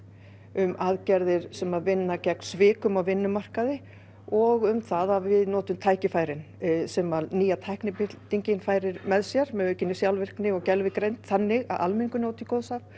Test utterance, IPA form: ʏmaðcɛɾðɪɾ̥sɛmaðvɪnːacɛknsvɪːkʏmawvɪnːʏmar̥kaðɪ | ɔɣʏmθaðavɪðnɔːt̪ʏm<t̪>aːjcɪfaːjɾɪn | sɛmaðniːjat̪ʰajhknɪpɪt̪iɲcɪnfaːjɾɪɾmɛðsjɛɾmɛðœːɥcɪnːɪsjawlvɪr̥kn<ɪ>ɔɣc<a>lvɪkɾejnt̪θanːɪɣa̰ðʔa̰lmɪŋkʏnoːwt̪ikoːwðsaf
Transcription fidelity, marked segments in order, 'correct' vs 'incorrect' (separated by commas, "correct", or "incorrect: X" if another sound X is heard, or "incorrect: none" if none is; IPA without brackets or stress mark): incorrect: t̪ʰ, correct, incorrect: ɛ